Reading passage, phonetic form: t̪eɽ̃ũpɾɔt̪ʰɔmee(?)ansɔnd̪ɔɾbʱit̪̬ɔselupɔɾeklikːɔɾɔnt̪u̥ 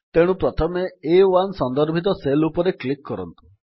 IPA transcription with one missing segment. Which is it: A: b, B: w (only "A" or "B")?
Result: B